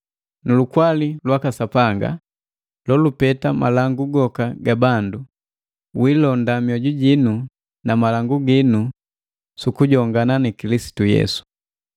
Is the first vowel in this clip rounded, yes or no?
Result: yes